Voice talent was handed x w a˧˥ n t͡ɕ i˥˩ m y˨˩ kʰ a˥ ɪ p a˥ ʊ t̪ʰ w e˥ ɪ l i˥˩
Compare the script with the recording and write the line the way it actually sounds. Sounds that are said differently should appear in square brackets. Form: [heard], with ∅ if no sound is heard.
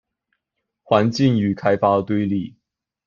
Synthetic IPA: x w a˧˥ n t͡ɕ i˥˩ [ŋ] y˨˩ kʰ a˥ ɪ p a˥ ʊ [t̪] w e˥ ɪ l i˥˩